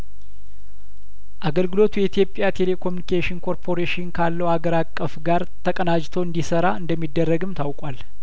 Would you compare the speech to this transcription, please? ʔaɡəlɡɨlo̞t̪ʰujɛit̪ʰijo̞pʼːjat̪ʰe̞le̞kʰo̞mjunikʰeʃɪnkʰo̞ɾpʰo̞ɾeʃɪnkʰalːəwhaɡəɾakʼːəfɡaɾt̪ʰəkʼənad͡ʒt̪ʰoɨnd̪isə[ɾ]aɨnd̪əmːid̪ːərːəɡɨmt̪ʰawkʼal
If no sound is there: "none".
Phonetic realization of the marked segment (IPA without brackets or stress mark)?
ɾ